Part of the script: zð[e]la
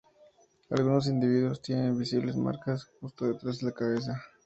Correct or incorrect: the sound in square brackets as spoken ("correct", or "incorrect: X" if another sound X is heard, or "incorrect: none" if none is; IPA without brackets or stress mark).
correct